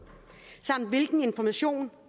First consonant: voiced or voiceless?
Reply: voiceless